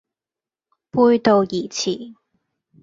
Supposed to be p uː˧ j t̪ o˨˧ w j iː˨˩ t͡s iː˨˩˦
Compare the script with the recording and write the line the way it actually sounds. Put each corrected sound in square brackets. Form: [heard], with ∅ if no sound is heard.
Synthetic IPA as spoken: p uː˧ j t̪ o˨˧ w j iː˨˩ [t͡sʰ] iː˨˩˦